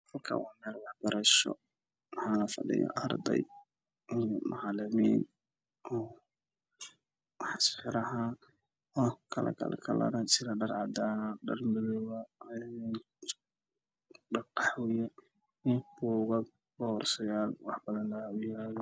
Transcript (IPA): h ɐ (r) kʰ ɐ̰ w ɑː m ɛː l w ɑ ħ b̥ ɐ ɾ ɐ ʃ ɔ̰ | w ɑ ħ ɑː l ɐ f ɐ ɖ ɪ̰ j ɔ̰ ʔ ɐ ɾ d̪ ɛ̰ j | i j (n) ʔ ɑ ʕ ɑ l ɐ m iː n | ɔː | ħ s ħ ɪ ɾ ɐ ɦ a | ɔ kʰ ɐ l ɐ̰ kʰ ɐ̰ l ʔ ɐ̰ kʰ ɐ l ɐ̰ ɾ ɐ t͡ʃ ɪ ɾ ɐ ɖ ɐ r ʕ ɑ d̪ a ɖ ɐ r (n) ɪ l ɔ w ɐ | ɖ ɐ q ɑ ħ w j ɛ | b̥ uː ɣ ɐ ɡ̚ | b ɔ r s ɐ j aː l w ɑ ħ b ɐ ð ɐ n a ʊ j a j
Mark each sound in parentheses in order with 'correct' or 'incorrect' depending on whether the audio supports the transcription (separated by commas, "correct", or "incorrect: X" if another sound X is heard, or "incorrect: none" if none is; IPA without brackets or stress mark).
incorrect: l, incorrect: m, incorrect: m